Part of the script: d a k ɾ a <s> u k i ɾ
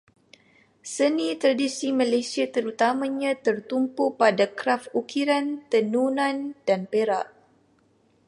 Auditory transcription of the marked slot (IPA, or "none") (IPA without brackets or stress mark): f